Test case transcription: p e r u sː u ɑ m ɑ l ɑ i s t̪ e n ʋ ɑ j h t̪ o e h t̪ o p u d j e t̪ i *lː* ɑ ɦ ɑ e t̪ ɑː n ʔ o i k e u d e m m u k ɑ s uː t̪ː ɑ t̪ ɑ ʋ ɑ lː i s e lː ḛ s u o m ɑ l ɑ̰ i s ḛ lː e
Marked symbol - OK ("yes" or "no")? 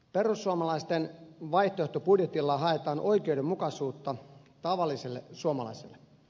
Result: yes